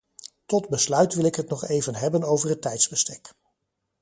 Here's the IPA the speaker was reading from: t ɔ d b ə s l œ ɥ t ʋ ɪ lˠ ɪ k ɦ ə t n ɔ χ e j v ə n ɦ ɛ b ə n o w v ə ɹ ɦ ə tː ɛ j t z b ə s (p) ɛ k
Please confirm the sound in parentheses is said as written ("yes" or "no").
no